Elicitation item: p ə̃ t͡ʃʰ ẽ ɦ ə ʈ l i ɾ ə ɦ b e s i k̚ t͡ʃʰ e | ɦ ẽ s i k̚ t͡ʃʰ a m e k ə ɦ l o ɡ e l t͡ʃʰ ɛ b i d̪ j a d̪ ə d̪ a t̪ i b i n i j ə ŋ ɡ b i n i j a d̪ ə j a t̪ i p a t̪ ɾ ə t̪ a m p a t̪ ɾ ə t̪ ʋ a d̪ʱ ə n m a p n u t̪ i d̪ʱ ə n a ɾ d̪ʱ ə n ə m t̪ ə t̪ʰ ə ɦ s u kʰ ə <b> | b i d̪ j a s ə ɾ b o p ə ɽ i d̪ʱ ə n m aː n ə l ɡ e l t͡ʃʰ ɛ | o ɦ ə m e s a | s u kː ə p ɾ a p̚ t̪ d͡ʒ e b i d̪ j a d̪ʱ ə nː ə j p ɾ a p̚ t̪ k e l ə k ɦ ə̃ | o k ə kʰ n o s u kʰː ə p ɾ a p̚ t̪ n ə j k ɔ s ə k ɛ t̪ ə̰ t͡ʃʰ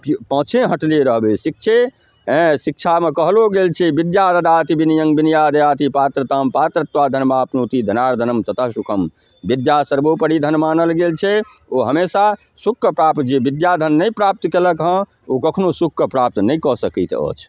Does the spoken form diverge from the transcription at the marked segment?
yes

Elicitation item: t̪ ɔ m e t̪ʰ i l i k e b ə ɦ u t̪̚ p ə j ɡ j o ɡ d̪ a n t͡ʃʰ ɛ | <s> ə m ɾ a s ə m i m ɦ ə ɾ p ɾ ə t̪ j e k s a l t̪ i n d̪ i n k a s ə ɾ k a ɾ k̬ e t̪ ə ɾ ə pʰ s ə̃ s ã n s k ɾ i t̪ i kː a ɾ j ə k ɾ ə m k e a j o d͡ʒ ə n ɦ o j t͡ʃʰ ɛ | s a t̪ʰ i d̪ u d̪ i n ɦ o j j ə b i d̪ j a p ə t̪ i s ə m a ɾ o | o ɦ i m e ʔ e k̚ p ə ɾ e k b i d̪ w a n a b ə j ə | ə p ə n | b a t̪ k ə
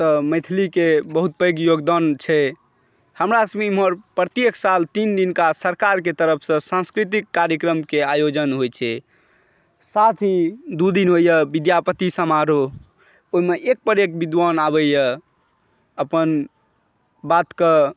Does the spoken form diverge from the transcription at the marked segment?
yes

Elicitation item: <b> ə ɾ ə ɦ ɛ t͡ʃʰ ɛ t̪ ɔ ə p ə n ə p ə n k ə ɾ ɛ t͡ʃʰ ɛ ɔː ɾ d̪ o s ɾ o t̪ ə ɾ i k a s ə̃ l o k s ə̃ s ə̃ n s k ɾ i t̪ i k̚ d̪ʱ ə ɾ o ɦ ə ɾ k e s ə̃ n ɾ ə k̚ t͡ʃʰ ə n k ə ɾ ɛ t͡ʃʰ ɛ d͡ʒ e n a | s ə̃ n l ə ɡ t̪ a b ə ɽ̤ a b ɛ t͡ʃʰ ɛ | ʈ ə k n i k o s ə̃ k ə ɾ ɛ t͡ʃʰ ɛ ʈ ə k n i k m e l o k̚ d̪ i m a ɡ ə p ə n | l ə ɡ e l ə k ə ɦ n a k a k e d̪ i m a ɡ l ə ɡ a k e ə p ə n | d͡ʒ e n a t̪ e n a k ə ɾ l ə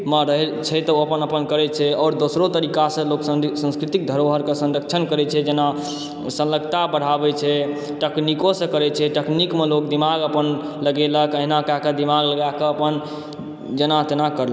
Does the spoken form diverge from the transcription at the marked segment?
yes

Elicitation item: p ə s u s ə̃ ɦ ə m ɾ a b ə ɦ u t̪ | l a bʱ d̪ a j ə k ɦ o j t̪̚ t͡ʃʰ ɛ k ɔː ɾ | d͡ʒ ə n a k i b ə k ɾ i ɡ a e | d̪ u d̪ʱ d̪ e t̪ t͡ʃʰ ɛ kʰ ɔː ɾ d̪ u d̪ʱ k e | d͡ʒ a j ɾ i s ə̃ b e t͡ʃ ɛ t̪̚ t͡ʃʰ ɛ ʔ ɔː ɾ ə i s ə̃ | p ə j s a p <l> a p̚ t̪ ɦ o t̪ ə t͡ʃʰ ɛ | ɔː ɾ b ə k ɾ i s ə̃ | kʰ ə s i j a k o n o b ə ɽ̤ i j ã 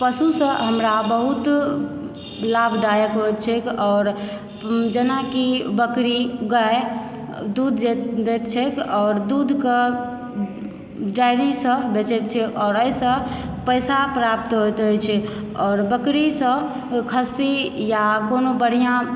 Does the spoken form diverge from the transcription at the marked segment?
yes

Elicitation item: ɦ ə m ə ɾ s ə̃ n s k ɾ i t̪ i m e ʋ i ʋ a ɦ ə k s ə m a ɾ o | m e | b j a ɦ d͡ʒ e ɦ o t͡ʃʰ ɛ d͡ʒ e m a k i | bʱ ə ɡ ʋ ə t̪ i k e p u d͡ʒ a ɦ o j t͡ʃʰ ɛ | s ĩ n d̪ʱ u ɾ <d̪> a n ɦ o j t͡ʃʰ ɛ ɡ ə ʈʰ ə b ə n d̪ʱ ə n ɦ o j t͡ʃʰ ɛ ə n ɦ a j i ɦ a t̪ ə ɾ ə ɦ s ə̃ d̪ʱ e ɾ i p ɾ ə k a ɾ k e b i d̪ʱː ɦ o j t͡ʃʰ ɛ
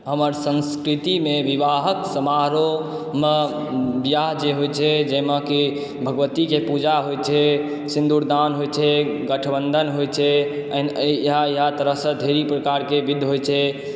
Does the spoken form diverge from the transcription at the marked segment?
no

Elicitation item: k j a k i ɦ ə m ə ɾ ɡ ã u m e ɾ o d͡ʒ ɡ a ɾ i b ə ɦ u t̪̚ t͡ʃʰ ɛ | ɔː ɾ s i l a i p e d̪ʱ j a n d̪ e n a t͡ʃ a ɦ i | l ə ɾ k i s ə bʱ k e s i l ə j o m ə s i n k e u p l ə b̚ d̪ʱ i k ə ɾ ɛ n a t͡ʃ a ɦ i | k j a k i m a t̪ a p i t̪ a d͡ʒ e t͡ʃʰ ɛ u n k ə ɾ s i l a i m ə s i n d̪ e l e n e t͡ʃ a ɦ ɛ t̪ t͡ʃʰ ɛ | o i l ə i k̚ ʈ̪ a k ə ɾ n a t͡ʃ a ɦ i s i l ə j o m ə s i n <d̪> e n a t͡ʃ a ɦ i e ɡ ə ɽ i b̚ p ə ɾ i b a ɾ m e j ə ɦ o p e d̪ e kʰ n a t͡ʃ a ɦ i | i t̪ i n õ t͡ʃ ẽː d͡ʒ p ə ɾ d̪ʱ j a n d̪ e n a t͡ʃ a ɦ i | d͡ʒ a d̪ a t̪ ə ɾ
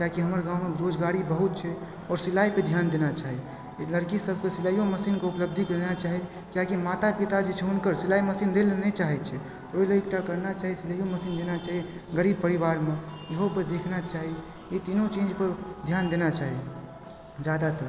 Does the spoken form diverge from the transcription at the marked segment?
no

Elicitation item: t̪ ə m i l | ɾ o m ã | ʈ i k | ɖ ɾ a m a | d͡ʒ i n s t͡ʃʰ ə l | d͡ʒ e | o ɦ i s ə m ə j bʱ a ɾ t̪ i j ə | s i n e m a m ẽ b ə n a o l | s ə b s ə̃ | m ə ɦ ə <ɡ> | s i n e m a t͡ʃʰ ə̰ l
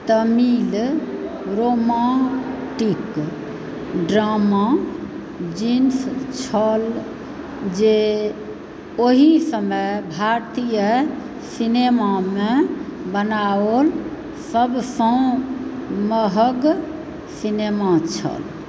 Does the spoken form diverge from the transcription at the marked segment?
no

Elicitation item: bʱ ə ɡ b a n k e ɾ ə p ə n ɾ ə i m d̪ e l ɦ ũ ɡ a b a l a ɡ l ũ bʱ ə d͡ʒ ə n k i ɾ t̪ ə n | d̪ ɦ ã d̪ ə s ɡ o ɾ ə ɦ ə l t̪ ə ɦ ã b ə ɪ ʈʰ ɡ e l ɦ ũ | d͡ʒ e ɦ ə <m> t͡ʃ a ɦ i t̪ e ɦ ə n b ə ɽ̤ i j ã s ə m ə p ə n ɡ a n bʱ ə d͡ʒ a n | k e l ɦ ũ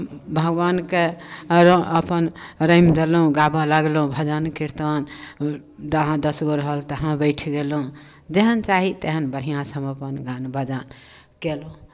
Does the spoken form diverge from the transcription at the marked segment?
yes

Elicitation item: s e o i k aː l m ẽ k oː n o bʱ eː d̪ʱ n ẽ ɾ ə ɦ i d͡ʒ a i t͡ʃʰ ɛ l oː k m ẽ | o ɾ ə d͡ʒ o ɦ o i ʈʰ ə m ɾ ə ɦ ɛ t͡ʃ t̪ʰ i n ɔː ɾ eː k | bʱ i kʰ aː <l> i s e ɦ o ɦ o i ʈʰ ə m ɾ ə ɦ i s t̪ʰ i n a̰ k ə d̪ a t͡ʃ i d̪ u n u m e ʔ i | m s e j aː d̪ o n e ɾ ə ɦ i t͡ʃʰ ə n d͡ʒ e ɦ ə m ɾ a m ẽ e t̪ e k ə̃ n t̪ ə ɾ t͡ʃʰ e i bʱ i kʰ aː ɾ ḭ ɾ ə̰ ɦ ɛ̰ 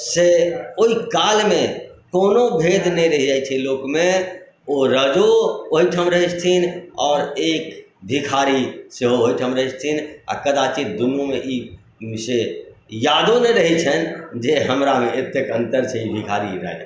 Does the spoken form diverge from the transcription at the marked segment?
yes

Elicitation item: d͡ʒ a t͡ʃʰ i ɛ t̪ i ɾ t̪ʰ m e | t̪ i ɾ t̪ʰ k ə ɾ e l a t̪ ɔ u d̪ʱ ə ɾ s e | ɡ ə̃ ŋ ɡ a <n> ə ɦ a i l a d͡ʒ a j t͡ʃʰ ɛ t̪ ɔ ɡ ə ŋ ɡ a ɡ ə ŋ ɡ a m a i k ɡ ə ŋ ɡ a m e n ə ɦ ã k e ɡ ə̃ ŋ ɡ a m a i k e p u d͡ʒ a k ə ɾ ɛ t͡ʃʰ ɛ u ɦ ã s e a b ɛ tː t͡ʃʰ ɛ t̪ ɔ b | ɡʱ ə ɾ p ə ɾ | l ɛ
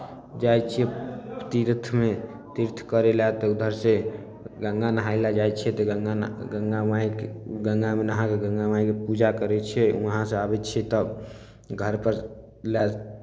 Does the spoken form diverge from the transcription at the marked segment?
no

